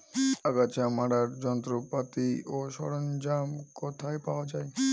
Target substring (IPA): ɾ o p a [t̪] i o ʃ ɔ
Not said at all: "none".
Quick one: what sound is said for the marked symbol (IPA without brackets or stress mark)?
t̪